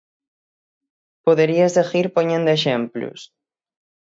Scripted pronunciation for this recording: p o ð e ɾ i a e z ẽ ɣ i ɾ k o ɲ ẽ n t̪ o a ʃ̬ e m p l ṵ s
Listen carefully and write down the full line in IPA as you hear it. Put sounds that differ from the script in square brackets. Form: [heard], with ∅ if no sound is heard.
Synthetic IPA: p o ð e ɾ i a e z [e] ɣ i ɾ [p] o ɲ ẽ n [d̪] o [e] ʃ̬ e m p l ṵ s